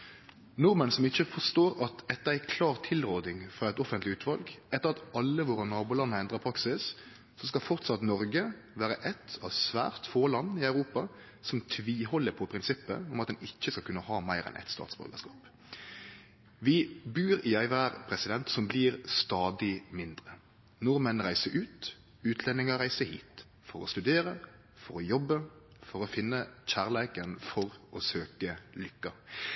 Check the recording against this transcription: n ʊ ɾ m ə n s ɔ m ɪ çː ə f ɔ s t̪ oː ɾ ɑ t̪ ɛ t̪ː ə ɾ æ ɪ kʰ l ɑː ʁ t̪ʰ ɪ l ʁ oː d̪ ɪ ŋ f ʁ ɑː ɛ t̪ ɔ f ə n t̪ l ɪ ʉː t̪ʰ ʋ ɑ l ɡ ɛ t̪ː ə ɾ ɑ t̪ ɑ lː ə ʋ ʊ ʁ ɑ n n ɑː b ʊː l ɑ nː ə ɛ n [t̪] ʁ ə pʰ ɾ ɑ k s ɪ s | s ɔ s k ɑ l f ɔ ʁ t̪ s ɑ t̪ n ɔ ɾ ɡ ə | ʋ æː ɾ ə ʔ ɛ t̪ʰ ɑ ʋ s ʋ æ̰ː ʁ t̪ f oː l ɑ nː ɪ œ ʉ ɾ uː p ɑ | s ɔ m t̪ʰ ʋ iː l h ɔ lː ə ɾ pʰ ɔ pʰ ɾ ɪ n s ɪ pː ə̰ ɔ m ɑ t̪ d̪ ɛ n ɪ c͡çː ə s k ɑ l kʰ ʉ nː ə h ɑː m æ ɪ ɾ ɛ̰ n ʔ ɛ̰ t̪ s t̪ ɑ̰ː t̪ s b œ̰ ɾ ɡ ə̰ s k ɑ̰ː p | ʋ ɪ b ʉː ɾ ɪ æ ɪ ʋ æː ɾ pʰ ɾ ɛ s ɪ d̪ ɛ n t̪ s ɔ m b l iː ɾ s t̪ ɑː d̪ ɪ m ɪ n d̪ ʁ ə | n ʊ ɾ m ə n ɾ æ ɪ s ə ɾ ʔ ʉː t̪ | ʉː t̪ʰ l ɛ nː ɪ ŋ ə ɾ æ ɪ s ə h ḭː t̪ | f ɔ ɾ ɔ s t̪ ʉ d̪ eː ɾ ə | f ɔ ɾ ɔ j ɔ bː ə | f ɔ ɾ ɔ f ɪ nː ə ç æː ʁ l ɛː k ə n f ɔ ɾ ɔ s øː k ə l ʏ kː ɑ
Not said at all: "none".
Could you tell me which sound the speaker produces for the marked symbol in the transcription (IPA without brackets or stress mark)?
d̪